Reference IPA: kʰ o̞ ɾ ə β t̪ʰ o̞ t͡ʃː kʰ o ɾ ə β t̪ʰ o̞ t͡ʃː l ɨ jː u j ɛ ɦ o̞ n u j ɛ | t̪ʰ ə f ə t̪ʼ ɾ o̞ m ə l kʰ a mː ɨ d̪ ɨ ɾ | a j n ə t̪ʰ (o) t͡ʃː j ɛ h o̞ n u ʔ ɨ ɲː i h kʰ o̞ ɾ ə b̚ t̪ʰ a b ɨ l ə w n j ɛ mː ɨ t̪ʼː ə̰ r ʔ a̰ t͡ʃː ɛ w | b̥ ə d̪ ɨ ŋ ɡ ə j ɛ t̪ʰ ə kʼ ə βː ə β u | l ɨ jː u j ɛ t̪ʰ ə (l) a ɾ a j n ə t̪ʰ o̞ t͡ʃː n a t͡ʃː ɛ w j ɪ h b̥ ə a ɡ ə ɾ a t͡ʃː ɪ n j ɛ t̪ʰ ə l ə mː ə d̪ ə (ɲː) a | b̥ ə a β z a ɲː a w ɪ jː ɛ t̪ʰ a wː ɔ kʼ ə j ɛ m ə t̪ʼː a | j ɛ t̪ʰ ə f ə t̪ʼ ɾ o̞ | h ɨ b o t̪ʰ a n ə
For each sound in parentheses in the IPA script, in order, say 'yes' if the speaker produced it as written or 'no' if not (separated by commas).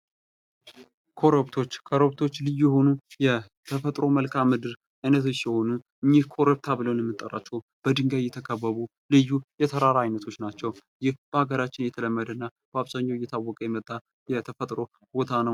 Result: yes, no, no